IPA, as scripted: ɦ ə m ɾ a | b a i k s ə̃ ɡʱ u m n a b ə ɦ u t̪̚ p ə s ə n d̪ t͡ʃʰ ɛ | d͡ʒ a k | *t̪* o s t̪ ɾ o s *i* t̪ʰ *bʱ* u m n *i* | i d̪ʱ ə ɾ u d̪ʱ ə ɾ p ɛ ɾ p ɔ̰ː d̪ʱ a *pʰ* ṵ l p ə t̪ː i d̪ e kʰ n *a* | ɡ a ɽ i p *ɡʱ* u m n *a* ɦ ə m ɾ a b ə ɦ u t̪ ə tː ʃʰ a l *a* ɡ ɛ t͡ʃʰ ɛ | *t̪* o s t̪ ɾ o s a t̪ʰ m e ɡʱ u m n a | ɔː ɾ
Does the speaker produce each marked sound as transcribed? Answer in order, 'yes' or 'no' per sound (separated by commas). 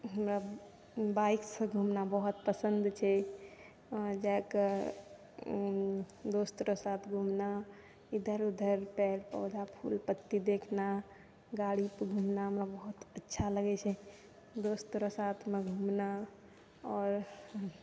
no, no, no, no, yes, yes, yes, yes, no, no